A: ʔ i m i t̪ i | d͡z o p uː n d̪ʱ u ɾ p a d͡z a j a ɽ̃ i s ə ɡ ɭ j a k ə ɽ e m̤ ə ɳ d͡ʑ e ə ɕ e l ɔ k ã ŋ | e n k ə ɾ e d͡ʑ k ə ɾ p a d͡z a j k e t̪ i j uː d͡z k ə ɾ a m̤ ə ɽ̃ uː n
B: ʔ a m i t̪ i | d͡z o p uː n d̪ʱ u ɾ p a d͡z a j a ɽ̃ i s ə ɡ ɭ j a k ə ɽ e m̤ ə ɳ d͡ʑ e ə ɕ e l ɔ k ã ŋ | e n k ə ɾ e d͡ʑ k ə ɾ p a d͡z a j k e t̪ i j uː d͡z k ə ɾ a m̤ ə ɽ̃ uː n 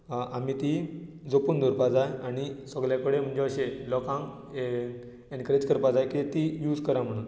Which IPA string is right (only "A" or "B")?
B